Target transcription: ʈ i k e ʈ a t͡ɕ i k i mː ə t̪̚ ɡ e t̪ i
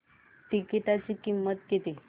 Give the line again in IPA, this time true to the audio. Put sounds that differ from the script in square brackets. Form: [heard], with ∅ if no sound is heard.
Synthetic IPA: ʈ i k [i] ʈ a t͡ɕ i k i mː ə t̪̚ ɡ e t̪ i